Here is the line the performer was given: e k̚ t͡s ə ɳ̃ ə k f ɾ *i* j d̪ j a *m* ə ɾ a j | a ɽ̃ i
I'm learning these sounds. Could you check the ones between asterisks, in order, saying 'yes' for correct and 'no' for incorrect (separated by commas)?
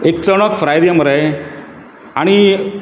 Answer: no, yes